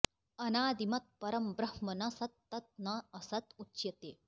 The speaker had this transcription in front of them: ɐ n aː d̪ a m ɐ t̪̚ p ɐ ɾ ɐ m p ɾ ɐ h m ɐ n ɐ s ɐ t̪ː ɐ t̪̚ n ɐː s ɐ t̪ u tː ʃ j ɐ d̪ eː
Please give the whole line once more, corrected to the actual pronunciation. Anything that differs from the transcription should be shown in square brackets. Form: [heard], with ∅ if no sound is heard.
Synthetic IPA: ɐ n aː d̪ [i] m ɐ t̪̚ p ɐ ɾ ɐ m [b] ɾ ɐ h m ɐ n ɐ s ɐ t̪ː ɐ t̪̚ n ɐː s ɐ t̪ u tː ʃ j ɐ [t̪] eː

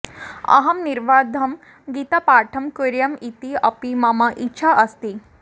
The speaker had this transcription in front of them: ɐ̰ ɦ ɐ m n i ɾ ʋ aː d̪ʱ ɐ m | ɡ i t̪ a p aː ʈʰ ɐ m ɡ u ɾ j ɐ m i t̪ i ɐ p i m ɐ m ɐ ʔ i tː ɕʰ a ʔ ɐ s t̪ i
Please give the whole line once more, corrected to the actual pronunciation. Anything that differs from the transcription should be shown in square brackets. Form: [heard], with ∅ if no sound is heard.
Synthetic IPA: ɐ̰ ɦ ɐ m n i ɾ ʋ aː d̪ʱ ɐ m | ɡ i t̪ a p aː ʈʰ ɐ m [k] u ɾ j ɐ m i t̪ i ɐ p i m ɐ m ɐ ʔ i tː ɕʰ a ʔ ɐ s t̪ i

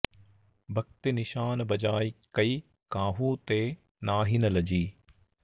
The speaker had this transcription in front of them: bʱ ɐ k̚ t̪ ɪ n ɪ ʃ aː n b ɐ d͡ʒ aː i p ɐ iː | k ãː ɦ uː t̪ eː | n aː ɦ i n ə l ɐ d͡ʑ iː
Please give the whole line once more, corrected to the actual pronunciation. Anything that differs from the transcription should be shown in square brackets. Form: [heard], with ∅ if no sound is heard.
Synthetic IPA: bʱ ɐ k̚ t̪ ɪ n ɪ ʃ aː n b ɐ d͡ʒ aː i [k] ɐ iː | k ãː ɦ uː t̪ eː | n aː ɦ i n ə l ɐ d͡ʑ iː

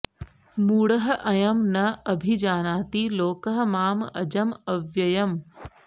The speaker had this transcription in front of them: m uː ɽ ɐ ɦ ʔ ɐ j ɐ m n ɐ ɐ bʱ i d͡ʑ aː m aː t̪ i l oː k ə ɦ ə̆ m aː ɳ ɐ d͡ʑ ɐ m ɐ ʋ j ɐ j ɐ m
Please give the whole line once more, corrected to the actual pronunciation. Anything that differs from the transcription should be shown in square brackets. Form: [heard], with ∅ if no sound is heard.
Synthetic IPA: m uː ɽ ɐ ɦ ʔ ɐ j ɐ m n ɐ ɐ bʱ i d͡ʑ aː [n] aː t̪ i l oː k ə ɦ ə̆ m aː [m] ɐ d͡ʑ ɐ m ɐ ʋ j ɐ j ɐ m

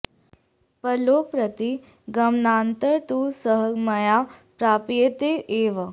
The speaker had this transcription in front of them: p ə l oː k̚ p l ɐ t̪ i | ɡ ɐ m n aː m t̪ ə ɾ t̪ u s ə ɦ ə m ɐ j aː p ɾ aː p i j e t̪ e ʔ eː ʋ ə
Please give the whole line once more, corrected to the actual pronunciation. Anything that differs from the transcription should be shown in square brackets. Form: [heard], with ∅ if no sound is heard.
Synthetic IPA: p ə l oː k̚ p [ɾ] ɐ t̪ i | ɡ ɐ m n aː [n] t̪ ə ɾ t̪ u s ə ɦ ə m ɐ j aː p ɾ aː p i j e t̪ e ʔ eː ʋ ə

